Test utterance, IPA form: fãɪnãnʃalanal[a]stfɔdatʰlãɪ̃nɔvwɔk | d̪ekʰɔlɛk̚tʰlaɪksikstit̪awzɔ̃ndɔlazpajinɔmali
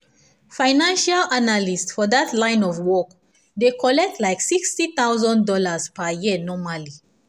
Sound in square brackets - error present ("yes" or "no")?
yes